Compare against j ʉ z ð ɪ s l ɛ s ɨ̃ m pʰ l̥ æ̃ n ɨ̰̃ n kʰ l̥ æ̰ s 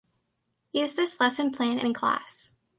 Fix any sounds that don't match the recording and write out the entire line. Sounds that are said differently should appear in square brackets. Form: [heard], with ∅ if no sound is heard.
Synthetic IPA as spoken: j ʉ z ð ɪ s l ɛ s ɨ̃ [n] pʰ l̥ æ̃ n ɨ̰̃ n kʰ l̥ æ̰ s